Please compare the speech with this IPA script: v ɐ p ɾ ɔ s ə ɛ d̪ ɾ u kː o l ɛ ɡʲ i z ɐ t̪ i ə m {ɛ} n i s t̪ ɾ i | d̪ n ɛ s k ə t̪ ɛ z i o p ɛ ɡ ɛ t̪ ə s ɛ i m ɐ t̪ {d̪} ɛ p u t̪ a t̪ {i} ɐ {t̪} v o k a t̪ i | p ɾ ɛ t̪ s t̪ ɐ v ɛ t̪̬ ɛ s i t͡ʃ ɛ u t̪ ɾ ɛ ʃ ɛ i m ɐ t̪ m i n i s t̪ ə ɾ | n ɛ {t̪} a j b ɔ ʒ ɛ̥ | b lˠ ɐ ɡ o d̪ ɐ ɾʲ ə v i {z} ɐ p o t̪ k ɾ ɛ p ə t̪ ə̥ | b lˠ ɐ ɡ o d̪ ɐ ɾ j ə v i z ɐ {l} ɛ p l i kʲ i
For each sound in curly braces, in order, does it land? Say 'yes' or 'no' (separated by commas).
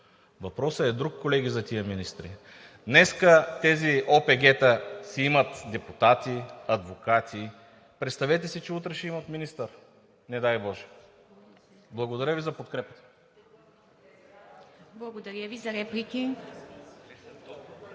no, yes, yes, no, no, yes, no